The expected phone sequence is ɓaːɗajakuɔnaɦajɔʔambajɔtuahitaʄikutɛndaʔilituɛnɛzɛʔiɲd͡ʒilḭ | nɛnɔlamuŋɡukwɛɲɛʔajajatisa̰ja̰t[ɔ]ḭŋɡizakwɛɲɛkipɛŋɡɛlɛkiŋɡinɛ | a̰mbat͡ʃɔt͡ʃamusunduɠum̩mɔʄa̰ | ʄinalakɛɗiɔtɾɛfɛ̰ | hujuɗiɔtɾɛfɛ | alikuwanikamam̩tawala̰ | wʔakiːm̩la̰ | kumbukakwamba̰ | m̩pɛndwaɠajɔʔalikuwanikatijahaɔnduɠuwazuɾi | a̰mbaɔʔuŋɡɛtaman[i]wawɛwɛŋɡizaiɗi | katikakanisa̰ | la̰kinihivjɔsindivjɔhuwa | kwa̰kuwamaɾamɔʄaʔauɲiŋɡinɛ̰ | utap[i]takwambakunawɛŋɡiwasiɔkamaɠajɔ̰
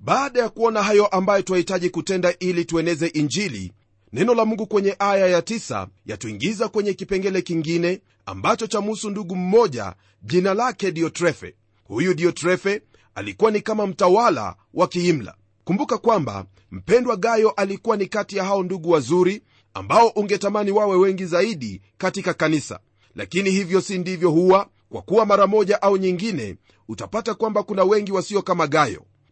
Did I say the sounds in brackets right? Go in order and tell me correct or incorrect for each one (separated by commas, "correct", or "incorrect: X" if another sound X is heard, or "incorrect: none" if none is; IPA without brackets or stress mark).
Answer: incorrect: u, correct, incorrect: a